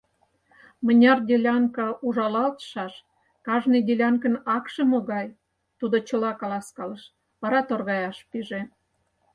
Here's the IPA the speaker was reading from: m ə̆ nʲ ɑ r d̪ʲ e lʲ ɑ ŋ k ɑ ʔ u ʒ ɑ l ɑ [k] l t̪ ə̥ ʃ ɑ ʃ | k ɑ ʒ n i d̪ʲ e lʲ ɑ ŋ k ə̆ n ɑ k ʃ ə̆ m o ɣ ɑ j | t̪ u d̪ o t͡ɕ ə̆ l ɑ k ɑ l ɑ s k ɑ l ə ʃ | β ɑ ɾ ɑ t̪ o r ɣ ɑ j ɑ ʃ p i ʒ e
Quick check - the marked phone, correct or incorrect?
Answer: incorrect